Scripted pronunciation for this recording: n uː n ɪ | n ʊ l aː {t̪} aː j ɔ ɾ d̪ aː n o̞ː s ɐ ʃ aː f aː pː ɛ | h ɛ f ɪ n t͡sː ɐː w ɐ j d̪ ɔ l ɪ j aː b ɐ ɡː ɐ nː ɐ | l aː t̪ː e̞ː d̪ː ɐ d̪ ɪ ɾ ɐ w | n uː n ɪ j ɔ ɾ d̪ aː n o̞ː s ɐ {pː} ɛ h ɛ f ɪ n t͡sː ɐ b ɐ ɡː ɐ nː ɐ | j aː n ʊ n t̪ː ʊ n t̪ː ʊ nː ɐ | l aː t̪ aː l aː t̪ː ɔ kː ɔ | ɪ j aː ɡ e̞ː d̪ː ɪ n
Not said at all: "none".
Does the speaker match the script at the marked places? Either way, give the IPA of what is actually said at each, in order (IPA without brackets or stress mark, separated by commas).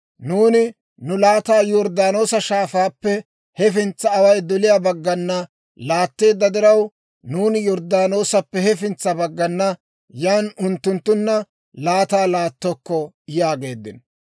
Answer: t̪, pː